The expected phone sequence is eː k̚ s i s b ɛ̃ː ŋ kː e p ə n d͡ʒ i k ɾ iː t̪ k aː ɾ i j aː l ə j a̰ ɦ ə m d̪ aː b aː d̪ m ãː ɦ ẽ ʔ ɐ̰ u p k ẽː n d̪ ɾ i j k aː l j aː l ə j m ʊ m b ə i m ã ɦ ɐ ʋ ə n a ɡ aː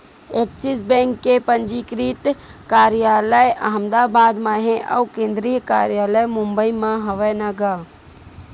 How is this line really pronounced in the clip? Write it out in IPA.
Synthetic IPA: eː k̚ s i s b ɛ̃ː ŋ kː e p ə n d͡ʒ i k ɾ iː t̪ k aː ɾ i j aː l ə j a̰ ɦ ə m d̪ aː b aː d̪ m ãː ɦ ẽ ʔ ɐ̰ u k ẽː n d̪ ɾ i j k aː ɾ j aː l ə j m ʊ m b ə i m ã ɦ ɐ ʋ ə n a ɡ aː